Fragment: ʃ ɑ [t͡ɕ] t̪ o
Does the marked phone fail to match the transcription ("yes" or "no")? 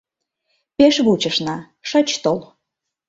no